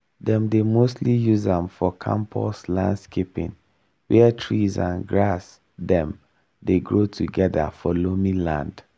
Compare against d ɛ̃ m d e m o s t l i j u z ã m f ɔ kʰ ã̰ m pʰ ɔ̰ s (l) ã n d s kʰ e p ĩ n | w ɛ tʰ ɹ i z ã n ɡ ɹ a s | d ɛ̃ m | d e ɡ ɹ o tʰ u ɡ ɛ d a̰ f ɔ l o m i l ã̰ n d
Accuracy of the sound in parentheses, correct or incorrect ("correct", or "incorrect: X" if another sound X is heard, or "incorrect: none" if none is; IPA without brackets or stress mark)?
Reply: correct